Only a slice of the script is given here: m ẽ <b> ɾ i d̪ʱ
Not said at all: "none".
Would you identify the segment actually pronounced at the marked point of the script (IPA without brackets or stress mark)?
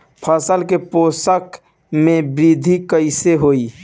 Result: b